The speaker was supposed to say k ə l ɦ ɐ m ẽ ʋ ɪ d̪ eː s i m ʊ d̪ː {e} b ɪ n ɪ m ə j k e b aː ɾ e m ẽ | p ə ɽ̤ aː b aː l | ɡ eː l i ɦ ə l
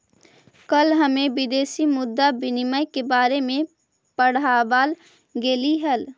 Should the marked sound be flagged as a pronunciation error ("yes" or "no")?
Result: yes